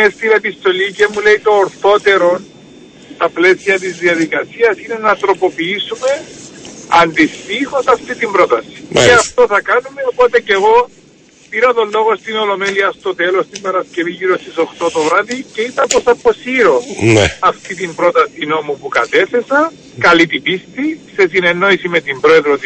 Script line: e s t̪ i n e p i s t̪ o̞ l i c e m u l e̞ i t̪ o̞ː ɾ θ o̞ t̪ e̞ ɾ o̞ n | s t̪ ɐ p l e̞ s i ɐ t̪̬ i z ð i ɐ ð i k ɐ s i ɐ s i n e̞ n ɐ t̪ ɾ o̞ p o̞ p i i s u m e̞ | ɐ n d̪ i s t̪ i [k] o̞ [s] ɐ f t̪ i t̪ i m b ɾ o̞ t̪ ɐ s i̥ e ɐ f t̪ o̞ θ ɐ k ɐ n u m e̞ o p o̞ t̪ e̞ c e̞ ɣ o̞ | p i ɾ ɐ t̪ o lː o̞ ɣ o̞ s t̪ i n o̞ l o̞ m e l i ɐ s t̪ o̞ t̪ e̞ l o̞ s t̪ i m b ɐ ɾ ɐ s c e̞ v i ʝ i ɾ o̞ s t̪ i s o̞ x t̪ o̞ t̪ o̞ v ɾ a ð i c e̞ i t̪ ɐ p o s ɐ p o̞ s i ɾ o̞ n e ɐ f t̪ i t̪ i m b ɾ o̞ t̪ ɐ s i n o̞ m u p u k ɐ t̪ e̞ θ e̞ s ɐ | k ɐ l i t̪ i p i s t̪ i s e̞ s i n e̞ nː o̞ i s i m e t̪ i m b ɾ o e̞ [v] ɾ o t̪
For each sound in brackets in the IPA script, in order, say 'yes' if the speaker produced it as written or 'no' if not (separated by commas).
no, yes, no